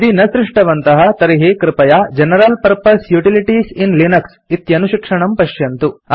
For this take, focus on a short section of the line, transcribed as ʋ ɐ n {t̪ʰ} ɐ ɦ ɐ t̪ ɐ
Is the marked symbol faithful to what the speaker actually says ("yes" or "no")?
no